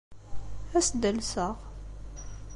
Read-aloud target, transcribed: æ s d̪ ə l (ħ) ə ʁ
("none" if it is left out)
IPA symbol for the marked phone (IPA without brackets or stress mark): s